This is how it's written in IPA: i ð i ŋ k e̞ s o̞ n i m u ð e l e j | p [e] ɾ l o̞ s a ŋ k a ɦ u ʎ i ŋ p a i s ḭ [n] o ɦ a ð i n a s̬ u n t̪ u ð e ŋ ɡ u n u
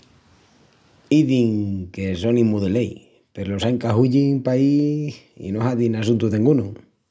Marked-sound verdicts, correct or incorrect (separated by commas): correct, correct